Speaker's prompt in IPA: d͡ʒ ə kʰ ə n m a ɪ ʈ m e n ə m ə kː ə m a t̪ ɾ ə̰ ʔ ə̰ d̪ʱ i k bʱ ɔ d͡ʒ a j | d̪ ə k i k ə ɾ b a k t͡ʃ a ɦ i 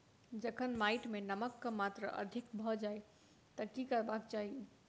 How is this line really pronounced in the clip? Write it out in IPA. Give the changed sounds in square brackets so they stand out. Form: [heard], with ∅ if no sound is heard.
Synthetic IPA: d͡ʒ ə kʰ ə n m a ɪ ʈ m e n ə m ə kː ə m a t̪ ɾ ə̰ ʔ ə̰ d̪ʱ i k bʱ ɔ d͡ʒ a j | [t̪] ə k i k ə ɾ b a k t͡ʃ a ɦ i

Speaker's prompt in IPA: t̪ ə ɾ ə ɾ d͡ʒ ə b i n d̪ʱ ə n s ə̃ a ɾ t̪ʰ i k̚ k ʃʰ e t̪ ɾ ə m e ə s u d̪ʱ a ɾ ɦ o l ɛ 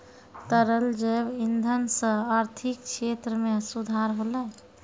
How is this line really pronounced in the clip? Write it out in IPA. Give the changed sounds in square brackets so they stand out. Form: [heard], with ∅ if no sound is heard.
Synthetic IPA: t̪ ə ɾ ə [l] d͡ʒ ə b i n d̪ʱ ə n s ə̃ a ɾ t̪ʰ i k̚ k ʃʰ e t̪ ɾ ə m e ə s u d̪ʱ a ɾ ɦ o l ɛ

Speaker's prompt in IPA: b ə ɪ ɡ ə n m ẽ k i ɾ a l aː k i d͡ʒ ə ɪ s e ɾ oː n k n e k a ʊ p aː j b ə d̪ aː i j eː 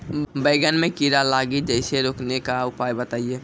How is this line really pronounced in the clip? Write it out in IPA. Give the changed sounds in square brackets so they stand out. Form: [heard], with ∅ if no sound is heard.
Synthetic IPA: b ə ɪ ɡ ə n m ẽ k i ɾ a l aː [ɡ] i d͡ʒ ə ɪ s e ɾ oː [∅] k n e k a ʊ p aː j b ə [t̪] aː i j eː

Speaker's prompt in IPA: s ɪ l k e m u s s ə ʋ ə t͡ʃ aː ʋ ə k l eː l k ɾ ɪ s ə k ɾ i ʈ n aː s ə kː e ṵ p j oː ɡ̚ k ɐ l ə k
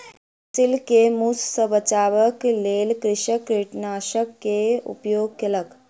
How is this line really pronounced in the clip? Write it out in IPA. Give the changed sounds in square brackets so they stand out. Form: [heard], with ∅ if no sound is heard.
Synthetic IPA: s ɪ l k e m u s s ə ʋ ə t͡ʃ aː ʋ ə k l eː l k ɾ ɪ [ʃ] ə k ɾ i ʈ n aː [ʃ] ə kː e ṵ p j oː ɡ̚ k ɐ l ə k

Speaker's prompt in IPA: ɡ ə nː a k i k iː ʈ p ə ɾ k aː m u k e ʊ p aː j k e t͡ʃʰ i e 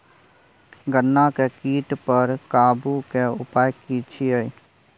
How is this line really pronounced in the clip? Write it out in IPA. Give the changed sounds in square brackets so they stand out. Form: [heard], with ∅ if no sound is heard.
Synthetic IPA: ɡ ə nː a k [e] k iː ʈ p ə ɾ k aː [b] u k e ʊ p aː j k [i] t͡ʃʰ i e

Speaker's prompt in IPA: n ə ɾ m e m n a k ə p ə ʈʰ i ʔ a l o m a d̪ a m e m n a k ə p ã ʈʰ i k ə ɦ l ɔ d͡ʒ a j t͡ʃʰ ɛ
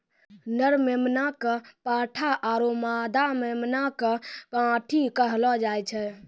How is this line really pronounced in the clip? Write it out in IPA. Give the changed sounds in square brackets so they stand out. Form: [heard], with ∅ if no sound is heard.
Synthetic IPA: n ə ɾ m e m n a k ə p [a] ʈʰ [a] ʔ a [ɾ] o m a d̪ a m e m n a k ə p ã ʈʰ i k ə ɦ l ɔ d͡ʒ a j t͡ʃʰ ɛ

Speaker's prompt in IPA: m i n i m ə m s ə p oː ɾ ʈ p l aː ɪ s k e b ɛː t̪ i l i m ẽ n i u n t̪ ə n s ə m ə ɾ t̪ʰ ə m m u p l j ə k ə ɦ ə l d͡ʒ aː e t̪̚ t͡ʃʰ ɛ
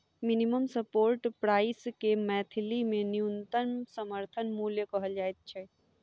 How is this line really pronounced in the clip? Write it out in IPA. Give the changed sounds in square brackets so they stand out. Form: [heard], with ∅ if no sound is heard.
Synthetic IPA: m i n i m ə m s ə p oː ɾ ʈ p [ɾ] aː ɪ s k e [m] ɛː [t̪ʰ] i l i m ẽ n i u n t̪ ə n s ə m ə ɾ t̪ʰ ə [n] m u [∅] l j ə k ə ɦ ə l d͡ʒ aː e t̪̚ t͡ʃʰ ɛ

